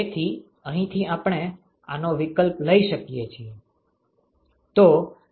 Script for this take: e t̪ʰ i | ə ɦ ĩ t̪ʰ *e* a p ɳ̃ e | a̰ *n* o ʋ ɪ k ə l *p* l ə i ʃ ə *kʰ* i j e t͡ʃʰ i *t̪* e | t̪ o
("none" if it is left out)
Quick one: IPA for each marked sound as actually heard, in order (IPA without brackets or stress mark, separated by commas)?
i, n, p, k, none